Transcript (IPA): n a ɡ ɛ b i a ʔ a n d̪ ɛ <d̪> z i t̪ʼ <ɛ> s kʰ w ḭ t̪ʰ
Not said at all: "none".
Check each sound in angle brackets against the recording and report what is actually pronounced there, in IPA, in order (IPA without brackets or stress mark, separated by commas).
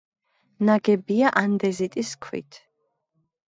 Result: none, i